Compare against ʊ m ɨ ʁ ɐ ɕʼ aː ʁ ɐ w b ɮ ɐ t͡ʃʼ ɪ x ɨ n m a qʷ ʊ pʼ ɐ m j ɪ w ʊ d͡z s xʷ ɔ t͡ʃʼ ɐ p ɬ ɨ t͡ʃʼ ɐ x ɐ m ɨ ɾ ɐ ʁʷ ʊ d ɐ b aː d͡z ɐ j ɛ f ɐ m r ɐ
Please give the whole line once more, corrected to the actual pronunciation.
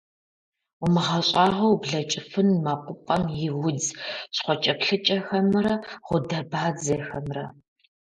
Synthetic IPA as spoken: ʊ m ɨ ʁ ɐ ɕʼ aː ʁ ɐ w b ɮ ɐ t͡ʃʼ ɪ f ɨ n m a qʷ ʊ pʼ ɐ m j ɪ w ʊ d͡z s χʷ ɔ t͡ʃʼ ɐ p ɬ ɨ t͡ʃʼ ɐ x ɐ m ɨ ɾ ɐ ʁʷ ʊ d ɐ b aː d͡z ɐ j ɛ x ɐ m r ɐ

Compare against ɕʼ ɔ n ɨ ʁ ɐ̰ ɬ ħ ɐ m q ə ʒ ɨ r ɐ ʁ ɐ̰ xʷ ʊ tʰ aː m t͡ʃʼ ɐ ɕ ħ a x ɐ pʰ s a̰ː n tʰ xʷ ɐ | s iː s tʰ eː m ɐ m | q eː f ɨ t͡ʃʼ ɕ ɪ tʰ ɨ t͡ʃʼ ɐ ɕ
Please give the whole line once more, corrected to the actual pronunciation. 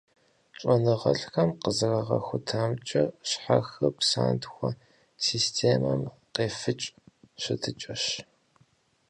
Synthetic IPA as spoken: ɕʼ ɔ n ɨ ʁ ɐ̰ ɬ x ɐ m q ə z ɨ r ɐ ʁ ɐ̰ xʷ ʊ tʰ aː m t͡ʃʼ ɐ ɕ ħ a x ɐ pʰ s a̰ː n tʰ xʷ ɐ | s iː s tʰ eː m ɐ m | q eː f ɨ t͡ʃʼ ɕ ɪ tʰ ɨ t͡ʃʼ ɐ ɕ

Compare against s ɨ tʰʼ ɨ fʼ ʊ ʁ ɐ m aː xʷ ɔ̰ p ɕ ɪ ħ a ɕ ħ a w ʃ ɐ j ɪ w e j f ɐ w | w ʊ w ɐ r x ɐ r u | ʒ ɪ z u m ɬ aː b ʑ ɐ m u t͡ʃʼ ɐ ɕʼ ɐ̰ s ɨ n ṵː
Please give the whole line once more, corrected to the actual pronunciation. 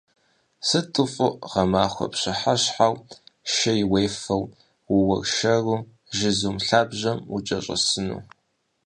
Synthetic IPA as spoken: s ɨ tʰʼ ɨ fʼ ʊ ʁ ɐ m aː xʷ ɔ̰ p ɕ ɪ ħ a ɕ ħ a w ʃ ɐ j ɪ w e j f ɐ w | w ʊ w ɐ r ʃ ɐ r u | ʒ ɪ z u m ɬ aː b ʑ ɐ m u t͡ʃʼ ɐ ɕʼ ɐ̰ s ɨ n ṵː

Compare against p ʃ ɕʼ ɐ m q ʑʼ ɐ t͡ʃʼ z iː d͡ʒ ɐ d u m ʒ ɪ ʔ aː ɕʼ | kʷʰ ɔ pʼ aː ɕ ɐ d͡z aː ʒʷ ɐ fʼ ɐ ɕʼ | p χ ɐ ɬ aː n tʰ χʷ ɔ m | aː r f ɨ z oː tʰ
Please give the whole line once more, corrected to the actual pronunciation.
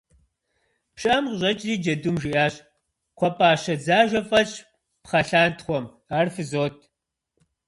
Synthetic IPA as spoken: p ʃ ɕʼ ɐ m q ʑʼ ɐ t͡ʃʼ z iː d͡ʒ ɐ d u m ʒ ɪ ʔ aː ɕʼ | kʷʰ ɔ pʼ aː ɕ ɐ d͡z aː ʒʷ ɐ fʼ ɐ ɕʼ | p χ ɐ ɬ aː n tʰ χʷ ɔ m | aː r f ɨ z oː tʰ

